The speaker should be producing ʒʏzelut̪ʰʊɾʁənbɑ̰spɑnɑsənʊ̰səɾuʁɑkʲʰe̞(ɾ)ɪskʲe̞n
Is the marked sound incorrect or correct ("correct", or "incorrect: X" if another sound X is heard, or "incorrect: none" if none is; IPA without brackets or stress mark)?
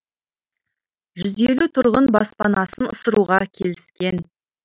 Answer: incorrect: l